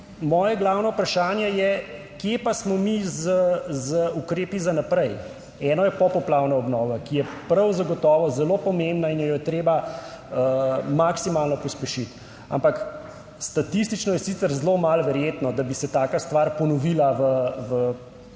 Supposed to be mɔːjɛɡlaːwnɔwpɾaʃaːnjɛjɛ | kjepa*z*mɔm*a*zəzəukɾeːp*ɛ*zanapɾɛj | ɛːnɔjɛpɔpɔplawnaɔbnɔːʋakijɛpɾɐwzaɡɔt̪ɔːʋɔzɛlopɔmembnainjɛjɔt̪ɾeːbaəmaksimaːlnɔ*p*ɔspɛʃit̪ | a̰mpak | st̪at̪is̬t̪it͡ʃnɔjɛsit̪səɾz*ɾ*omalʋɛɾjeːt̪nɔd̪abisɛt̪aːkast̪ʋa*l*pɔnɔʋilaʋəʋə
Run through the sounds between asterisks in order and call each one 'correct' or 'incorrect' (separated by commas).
incorrect, incorrect, incorrect, correct, incorrect, incorrect